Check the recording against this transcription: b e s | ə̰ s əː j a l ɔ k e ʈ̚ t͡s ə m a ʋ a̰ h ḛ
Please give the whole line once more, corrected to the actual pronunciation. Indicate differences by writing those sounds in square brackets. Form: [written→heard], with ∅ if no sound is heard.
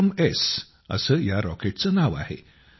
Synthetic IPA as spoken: [b→m] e s | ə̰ s əː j a [l→ɾ] ɔ k e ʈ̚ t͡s ə [m→n] a ʋ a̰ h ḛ